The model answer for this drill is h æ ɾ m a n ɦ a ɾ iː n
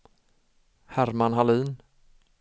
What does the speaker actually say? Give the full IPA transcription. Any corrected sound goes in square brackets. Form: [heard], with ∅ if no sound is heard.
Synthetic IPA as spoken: h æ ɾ m a n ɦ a [l] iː n